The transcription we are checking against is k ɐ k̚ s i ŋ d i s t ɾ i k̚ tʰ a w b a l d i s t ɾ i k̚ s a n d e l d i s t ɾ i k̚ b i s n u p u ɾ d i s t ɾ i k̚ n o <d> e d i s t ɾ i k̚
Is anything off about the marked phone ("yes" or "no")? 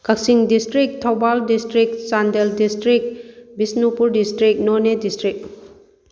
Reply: yes